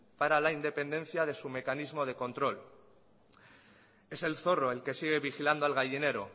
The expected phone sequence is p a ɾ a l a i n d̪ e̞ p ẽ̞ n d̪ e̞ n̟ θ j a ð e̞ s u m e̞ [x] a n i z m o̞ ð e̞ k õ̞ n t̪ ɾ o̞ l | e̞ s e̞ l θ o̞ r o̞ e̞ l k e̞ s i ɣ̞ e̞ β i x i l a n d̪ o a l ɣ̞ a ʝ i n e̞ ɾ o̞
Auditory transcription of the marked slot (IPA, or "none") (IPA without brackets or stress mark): k